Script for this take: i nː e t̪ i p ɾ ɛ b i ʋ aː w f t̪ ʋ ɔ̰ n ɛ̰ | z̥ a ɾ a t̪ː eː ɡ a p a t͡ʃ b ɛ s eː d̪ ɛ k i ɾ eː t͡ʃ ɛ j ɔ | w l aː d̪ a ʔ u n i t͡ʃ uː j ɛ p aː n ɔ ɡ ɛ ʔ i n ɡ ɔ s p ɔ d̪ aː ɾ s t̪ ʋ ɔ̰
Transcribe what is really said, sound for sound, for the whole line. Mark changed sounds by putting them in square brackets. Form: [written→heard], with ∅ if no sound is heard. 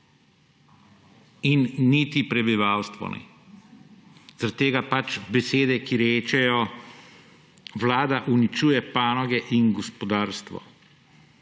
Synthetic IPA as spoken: i nː [e→i] t̪ i p ɾ ɛ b i ʋ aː w [f→s] t̪ ʋ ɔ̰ n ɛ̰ | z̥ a ɾ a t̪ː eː ɡ a p a t͡ʃ b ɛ s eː d̪ ɛ k i ɾ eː t͡ʃ ɛ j ɔ | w l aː d̪ a ʔ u n i t͡ʃ uː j ɛ p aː n ɔ ɡ ɛ ʔ i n ɡ ɔ s p ɔ d̪ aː ɾ s t̪ ʋ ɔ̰